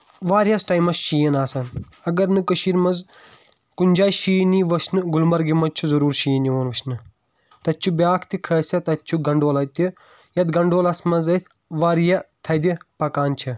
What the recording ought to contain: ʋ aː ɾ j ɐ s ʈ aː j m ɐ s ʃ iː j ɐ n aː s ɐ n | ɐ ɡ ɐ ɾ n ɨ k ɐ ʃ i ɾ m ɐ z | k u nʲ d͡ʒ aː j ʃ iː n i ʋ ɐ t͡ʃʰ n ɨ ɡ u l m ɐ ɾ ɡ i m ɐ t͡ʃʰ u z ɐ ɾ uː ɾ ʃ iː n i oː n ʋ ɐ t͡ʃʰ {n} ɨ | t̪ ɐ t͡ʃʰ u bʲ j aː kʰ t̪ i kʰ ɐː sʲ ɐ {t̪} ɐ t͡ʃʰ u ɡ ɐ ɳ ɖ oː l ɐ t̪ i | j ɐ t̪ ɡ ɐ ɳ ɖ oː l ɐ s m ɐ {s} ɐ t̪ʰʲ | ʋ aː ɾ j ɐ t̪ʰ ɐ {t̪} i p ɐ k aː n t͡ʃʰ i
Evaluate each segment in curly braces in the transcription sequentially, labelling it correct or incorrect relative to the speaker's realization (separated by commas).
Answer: correct, correct, incorrect, incorrect